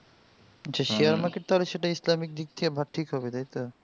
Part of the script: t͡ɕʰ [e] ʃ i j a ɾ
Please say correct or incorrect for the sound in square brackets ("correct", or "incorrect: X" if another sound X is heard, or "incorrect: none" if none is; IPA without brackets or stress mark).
incorrect: a